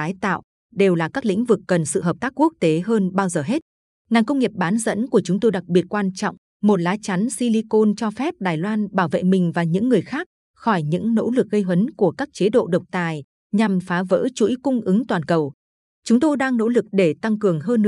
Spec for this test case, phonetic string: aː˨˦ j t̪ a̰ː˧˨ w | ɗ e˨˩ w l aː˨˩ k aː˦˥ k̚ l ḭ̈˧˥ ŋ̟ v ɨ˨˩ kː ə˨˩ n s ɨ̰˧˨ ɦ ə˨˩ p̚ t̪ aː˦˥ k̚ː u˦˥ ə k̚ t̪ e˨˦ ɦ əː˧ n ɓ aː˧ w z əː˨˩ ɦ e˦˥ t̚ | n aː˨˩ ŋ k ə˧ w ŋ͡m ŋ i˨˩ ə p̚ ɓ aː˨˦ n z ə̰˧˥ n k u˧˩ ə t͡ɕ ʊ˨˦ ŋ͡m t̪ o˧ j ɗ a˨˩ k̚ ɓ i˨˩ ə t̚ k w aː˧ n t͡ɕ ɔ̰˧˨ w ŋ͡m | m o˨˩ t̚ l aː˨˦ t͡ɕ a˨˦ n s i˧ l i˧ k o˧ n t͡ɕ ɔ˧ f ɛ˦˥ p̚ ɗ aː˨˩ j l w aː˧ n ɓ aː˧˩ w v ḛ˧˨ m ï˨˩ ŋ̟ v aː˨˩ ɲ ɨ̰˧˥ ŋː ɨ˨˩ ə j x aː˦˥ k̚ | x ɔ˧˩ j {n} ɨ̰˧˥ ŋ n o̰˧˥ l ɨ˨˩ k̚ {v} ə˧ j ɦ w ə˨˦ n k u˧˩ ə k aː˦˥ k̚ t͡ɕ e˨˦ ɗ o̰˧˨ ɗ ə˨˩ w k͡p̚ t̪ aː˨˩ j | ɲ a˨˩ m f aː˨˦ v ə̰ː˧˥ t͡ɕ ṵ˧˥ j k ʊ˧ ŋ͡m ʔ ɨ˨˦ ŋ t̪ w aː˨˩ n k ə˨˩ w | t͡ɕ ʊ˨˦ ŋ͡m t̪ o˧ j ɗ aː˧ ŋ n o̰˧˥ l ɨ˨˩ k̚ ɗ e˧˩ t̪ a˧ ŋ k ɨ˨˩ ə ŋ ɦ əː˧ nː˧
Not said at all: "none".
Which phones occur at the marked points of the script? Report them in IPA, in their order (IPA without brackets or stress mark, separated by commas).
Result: ɲ, ɣ